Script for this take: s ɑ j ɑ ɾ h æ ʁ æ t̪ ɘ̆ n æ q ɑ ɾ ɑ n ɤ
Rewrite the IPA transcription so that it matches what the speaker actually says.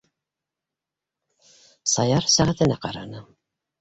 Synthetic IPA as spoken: s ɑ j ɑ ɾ s æ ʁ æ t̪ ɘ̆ n æ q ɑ ɾ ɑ n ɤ